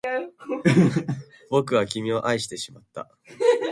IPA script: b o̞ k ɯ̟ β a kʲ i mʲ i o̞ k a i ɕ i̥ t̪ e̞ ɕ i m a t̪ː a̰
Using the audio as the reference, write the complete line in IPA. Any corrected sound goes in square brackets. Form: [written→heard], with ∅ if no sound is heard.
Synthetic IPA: b o̞ k ɯ̟ β a kʲ i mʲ i o̞ [k→ʔ] a i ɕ i̥ t̪ e̞ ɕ i m a t̪ː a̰